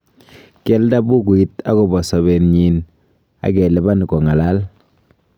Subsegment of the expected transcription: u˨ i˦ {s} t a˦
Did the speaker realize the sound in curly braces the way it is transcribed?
no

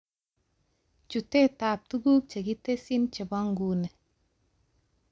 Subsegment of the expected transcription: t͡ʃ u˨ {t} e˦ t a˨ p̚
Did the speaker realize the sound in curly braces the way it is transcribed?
yes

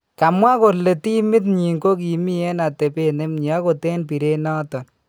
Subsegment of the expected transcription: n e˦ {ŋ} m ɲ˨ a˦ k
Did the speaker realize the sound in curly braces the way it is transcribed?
no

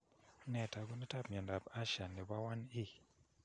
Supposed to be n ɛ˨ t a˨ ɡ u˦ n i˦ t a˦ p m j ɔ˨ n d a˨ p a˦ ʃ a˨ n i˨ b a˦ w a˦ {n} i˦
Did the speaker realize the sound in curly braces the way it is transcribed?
yes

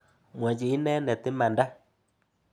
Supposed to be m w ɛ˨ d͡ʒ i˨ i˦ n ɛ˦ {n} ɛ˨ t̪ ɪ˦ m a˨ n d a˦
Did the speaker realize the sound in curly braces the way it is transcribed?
yes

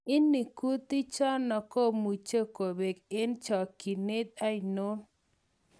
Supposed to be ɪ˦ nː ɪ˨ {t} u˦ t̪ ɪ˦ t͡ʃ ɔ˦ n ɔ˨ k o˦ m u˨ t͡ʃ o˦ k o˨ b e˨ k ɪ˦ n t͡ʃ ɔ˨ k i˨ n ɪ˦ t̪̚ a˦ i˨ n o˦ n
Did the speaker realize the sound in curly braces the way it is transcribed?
no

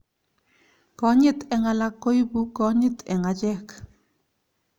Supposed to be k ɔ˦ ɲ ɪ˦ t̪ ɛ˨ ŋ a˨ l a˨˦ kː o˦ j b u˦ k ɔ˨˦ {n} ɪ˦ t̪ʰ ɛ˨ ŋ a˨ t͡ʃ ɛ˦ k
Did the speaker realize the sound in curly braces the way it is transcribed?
no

